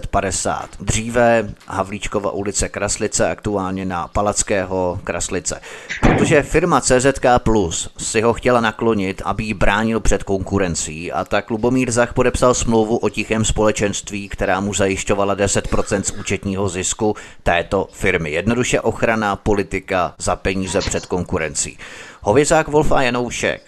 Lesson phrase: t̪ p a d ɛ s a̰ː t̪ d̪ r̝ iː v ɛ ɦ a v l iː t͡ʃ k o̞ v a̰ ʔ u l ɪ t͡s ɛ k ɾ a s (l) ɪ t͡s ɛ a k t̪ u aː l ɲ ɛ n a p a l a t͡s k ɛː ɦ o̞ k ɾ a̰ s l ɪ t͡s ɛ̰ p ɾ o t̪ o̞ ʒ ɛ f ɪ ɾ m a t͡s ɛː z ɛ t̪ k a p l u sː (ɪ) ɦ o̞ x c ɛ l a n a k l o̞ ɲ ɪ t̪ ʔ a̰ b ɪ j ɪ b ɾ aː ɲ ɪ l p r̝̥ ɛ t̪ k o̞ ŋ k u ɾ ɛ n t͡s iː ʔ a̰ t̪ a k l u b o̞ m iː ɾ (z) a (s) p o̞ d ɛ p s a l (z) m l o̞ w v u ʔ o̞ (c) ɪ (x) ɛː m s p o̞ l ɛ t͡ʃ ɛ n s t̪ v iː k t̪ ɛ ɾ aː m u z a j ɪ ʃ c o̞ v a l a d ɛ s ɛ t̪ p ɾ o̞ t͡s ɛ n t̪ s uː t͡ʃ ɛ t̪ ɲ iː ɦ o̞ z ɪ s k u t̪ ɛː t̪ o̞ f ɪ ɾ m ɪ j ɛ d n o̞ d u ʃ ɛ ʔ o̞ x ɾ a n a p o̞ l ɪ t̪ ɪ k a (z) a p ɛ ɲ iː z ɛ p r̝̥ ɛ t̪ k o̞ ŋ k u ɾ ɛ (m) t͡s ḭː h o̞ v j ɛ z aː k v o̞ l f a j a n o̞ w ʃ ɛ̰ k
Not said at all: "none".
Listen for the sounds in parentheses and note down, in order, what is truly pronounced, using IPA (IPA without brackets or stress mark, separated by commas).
l, ɪ, z, x, s, c, x, z, n